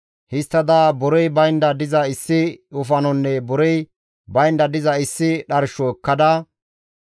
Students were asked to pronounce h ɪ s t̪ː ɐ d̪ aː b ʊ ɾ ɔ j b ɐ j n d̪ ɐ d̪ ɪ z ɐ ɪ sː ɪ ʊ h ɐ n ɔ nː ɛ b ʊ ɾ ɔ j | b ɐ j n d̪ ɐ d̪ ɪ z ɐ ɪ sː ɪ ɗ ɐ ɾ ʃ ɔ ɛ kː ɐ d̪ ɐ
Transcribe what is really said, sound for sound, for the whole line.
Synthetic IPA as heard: h ɪ s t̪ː ɐ d̪ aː b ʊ ɾ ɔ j b ɐ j n d̪ ɐ d̪ ɪ z ɐ ɪ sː ɪ ʊ f ɐ n ɔ nː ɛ b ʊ ɾ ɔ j | b ɐ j n d̪ ɐ d̪ ɪ z ɐ ɪ sː ɪ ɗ ɐ ɾ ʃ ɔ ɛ kː ɐ d̪ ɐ

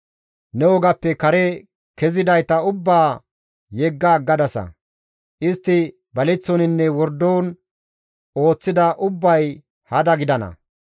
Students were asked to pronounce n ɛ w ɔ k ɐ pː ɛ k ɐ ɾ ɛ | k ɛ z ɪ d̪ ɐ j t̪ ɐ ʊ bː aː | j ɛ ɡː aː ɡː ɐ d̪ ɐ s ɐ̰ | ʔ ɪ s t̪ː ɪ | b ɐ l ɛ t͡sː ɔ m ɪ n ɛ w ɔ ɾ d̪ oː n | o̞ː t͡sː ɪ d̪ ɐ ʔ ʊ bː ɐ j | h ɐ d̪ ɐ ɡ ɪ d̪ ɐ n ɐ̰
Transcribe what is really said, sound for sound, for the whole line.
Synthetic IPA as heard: n ɛ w ɔ ɡ ɐ pː ɛ k ɐ ɾ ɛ | k ɛ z ɪ d̪ ɐ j t̪ ɐ ʊ bː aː | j ɛ ɡː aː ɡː ɐ d̪ ɐ s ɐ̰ | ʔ ɪ s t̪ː ɪ | b ɐ l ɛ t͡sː ɔ n ɪ nː ɛ w ɔ ɾ d̪ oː n | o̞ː t͡sː ɪ d̪ ɐ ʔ ʊ bː ɐ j | h ɐ d̪ ɐ ɡ ɪ d̪ ɐ n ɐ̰

